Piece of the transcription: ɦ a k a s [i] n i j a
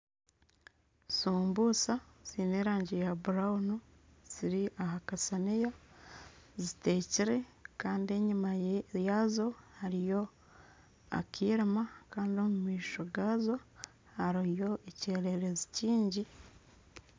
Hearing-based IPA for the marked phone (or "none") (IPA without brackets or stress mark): a